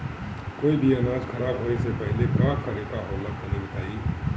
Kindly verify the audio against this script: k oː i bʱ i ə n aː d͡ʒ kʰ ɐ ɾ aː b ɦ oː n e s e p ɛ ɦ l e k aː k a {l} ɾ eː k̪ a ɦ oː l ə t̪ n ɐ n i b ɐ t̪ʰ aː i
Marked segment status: incorrect: none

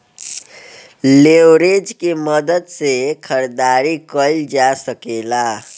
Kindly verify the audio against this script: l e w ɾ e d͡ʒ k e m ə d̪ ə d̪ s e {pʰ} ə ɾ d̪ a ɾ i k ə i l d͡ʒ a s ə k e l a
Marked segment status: incorrect: kʰ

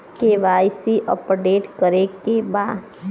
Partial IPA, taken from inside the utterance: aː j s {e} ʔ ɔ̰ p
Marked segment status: incorrect: i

